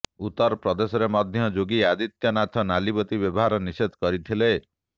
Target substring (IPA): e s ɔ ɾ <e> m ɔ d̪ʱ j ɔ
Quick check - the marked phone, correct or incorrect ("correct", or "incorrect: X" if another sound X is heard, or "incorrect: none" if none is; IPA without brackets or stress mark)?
correct